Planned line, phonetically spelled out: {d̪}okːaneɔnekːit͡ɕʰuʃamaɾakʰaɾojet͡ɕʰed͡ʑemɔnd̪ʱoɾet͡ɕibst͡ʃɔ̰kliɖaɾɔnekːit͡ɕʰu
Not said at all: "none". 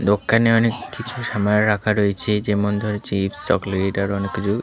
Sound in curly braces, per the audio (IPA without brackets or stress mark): d̪